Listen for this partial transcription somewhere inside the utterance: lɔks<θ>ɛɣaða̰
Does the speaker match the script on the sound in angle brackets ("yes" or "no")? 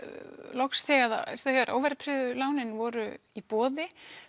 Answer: yes